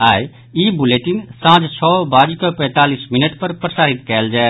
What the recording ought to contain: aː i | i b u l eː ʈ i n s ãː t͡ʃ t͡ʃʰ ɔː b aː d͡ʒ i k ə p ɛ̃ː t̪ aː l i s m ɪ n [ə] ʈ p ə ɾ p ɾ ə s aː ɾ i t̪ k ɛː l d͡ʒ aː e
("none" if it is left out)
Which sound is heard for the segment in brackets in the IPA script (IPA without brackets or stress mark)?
ə